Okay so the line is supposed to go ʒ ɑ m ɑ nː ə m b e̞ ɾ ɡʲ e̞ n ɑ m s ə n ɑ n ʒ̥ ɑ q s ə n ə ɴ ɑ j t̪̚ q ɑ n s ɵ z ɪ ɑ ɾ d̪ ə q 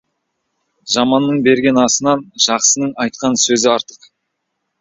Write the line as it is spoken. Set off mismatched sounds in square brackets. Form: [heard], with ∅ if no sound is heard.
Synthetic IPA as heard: ʒ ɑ m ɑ nː ə [ɴ] b e̞ ɾ ɡʲ e̞ n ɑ [∅] s ə n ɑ n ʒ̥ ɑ q s ə n ə ɴ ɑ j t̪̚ q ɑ n s ɵ z ɪ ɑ ɾ [t̪] ə q